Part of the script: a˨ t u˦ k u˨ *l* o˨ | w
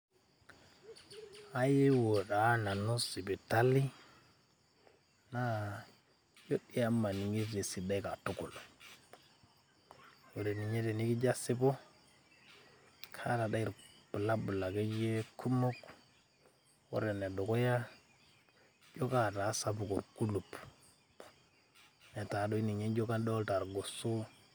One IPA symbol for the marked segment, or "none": l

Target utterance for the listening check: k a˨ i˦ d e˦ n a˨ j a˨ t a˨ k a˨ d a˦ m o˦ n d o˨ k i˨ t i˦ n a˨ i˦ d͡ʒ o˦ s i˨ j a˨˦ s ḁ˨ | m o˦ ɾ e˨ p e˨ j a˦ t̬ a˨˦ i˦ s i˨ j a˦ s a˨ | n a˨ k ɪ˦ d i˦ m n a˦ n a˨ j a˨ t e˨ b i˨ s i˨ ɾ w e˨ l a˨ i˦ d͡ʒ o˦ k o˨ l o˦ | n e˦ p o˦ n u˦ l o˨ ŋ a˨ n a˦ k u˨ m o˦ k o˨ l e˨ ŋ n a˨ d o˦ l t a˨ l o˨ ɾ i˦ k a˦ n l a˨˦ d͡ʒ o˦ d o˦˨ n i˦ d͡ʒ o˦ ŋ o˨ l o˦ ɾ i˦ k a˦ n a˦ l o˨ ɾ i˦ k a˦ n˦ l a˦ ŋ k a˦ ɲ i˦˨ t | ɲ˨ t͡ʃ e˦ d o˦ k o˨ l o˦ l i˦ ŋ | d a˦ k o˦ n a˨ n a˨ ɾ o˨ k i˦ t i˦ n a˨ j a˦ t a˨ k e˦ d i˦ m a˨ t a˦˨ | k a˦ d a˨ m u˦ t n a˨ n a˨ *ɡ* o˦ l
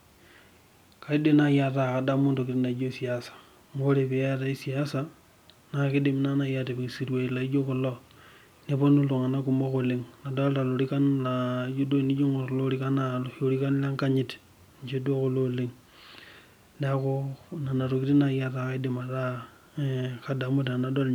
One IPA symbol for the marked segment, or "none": d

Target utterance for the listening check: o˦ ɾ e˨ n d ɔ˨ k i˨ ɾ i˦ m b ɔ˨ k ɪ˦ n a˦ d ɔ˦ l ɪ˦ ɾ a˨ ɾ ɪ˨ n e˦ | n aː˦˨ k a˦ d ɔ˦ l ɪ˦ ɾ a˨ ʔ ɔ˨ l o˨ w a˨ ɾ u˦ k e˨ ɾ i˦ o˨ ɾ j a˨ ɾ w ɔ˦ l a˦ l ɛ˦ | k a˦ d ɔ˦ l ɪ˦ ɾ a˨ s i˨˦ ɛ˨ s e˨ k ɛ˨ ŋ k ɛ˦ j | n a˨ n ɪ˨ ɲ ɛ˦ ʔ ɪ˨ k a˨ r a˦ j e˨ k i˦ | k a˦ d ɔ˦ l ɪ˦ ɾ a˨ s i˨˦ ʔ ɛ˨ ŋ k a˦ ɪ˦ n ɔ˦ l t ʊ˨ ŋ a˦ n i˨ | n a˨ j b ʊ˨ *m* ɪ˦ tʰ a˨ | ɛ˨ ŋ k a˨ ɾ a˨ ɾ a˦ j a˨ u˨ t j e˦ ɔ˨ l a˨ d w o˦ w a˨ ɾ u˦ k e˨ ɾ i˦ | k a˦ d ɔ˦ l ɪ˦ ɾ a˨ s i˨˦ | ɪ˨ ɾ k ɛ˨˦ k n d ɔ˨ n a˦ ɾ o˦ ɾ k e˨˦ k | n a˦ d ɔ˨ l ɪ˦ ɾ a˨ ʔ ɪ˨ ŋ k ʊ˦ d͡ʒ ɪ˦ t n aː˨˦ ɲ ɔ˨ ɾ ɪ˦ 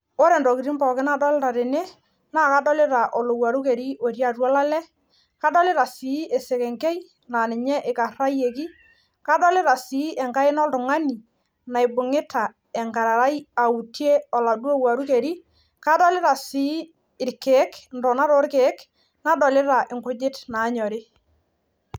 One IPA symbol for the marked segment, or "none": ŋ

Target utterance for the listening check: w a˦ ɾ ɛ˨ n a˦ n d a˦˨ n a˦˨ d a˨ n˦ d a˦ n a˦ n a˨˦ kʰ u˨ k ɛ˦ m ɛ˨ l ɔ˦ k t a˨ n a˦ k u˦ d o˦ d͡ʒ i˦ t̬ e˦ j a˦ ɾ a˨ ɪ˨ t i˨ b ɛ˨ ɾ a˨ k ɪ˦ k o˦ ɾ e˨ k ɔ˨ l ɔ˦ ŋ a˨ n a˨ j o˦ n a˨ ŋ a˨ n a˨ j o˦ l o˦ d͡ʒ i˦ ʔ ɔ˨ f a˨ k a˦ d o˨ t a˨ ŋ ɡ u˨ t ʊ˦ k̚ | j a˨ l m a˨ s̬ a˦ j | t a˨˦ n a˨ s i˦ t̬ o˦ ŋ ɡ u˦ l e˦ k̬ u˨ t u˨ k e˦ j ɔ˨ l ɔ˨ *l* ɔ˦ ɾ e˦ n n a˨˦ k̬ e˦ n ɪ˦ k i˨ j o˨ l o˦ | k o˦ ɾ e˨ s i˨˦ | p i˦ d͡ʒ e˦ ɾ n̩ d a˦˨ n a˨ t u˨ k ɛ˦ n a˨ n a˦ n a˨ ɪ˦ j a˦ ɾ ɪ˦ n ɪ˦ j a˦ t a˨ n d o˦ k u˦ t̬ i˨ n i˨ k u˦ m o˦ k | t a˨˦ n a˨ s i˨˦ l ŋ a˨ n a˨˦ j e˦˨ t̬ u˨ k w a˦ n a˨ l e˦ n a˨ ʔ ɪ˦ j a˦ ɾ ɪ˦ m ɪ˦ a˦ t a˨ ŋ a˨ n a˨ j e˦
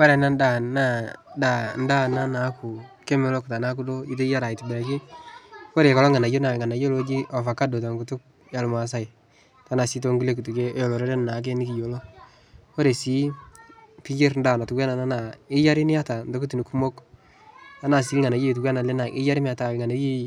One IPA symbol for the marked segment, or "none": ɾ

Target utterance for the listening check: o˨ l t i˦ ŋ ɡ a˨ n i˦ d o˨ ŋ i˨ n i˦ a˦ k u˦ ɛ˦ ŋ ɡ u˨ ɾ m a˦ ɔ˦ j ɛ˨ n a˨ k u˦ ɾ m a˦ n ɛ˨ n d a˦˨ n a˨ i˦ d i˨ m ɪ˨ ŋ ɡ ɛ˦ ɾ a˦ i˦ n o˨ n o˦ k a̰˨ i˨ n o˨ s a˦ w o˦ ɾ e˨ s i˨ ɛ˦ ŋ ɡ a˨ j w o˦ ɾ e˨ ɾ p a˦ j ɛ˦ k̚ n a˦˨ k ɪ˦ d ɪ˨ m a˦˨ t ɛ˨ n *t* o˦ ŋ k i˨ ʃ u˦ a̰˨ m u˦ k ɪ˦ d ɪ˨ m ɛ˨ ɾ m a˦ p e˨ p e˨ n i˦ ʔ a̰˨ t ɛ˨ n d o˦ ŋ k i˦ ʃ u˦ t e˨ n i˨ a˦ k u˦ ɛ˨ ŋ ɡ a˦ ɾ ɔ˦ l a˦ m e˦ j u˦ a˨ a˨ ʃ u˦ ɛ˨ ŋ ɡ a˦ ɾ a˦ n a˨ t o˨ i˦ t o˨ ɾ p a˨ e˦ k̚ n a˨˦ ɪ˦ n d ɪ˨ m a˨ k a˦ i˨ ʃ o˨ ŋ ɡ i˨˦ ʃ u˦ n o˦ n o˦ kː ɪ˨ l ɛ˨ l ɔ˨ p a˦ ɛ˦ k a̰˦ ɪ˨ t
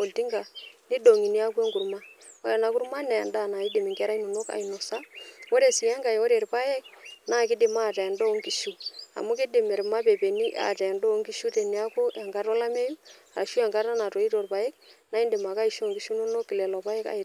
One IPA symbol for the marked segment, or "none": d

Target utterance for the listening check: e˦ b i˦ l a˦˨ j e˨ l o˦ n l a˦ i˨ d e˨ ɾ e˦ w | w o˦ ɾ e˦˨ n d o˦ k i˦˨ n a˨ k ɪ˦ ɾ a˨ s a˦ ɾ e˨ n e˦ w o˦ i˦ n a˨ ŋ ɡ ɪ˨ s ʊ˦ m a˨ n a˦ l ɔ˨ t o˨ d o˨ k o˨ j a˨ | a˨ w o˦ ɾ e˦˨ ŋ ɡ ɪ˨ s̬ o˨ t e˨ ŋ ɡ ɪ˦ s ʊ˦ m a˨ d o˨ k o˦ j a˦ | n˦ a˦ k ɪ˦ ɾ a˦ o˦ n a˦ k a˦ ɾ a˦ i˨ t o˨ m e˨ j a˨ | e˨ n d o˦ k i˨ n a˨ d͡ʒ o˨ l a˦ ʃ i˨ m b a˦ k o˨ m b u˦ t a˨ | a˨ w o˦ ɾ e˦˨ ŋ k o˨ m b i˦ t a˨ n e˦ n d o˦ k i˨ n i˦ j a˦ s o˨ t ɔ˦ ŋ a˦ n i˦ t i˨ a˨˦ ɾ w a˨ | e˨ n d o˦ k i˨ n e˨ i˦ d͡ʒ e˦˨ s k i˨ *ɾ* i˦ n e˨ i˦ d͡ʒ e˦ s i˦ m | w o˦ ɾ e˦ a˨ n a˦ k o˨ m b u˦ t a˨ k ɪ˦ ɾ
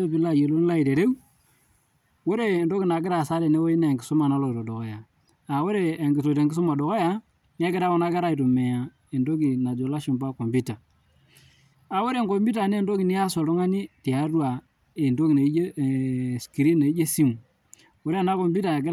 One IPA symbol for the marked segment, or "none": ɾ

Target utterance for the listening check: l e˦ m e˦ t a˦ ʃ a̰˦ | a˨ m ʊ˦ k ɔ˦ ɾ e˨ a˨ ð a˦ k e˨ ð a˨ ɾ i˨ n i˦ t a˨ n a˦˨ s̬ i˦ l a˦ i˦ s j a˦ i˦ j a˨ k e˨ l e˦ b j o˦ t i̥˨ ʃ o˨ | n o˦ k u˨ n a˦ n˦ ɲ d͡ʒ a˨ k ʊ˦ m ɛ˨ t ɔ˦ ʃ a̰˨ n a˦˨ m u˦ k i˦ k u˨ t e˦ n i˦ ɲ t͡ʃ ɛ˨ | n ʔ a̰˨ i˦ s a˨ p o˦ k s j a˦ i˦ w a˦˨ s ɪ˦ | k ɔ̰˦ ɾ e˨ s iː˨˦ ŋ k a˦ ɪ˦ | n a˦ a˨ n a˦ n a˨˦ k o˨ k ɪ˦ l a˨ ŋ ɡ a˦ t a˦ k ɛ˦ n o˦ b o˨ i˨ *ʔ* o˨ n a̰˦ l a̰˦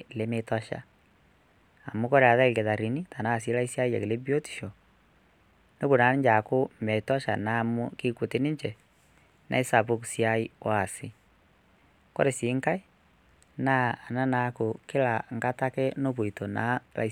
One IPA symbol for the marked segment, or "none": t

